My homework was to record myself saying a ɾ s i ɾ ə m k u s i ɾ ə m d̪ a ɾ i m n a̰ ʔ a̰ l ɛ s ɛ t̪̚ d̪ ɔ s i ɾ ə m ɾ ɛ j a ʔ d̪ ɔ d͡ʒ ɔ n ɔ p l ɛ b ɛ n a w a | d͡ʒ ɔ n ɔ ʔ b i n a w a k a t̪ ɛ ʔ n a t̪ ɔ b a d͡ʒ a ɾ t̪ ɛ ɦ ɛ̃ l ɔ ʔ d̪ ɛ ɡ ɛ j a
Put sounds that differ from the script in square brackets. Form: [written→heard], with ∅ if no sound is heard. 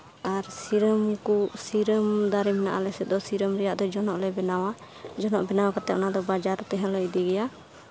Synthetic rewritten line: a ɾ s i ɾ ə m k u s i ɾ ə m d̪ a ɾ i m n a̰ ʔ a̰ l ɛ s ɛ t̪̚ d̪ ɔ s i ɾ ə m ɾ ɛ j a ʔ d̪ ɔ d͡ʒ ɔ n ɔ [p→ʔ] l ɛ b ɛ n a w a | d͡ʒ ɔ n ɔ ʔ b [i→ɛ] n a w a k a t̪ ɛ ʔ n a [t̪→d̪] ɔ b a d͡ʒ a ɾ t̪ ɛ ɦ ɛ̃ l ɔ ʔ d̪ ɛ ɡ ɛ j a